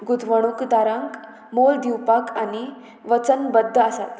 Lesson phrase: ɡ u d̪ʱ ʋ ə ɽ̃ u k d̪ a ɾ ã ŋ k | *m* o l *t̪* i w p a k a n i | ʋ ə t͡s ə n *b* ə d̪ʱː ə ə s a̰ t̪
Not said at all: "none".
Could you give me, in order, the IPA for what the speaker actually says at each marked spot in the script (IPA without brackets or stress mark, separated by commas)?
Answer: m, d̪, b